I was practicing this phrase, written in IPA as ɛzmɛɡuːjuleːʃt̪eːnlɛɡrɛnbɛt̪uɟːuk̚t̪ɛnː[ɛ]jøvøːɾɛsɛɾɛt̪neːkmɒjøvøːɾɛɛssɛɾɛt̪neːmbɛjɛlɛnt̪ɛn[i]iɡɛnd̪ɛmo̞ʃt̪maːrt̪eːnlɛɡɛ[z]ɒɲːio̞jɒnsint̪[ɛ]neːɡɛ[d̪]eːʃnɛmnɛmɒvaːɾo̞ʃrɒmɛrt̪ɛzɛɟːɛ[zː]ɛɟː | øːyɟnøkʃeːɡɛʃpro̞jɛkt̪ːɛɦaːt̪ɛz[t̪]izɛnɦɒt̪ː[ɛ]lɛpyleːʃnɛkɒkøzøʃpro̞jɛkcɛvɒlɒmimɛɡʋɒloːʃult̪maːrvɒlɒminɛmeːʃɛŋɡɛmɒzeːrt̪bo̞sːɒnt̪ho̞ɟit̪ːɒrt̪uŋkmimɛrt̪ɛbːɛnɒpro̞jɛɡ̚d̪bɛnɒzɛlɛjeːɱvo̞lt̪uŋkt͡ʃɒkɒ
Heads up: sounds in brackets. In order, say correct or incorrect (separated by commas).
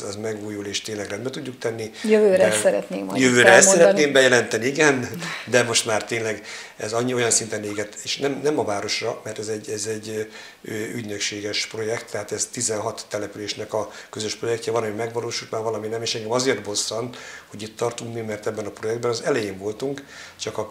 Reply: incorrect, correct, correct, correct, incorrect, incorrect, correct, correct